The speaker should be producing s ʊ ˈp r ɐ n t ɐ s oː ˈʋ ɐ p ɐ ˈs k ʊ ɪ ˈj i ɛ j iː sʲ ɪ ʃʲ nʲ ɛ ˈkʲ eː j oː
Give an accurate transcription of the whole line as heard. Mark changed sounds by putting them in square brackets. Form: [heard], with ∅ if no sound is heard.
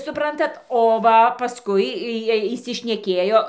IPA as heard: s ʊ ˈp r ɐ n t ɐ [t] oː ˈʋ ɐ p ɐ ˈs k ʊ ɪ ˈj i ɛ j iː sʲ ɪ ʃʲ nʲ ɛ ˈkʲ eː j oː